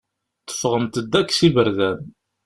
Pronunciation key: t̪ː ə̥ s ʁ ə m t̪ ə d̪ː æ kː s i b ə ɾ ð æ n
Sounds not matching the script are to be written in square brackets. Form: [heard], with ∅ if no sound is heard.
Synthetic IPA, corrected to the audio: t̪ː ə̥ [f] ʁ ə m t̪ ə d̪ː æ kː s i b ə ɾ ð æ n